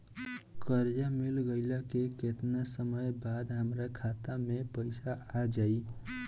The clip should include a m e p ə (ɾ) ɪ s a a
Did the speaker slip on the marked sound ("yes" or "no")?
yes